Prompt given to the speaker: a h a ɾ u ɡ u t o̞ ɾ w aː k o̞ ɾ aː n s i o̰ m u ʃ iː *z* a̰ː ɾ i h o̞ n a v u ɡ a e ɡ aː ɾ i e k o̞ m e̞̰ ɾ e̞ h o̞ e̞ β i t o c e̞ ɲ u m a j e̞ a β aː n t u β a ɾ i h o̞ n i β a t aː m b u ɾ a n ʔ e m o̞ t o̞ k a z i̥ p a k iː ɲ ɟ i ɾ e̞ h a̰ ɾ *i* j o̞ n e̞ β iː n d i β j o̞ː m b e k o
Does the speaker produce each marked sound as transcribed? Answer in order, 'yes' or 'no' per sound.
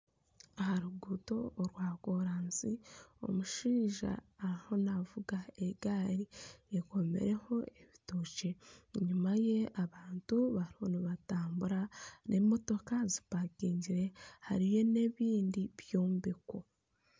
no, yes

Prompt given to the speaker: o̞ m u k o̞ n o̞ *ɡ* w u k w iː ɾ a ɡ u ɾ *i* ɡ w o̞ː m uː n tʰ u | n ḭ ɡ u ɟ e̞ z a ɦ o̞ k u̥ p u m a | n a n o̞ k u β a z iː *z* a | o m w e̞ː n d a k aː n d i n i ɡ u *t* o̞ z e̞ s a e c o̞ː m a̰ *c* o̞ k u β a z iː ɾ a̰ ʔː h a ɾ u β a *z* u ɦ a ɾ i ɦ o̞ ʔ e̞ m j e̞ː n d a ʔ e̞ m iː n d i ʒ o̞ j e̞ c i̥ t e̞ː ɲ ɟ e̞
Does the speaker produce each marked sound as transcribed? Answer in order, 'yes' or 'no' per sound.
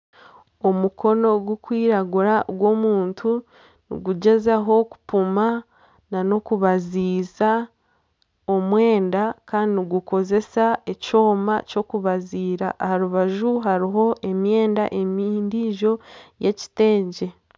yes, no, yes, no, yes, no

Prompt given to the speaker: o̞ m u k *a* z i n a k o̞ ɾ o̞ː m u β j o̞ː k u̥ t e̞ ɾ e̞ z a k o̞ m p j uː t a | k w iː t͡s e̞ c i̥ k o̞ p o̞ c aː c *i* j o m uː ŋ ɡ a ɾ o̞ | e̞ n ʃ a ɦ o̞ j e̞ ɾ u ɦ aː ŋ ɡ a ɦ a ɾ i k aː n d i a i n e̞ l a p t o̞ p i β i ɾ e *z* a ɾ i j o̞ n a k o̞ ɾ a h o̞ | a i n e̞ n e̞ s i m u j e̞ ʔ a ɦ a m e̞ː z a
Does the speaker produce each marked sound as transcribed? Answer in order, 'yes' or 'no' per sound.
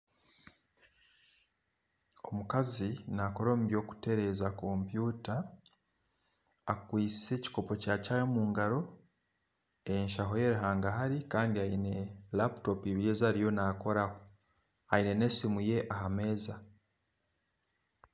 yes, no, yes

